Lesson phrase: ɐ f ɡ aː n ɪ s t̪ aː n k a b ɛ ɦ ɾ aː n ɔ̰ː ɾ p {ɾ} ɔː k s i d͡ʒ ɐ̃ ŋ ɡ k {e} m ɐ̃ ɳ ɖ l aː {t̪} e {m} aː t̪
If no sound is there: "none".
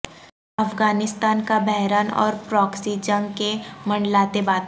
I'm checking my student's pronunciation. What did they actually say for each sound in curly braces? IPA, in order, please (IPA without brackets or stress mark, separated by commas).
ɾ, e, t̪, b